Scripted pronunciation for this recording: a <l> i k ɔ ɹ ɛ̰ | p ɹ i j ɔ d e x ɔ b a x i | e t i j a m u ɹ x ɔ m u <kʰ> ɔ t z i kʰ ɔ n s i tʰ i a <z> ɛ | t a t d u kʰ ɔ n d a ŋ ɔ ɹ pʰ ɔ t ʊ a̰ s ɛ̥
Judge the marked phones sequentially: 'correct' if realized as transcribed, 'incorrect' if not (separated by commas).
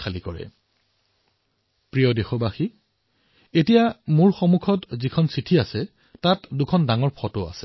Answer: correct, correct, incorrect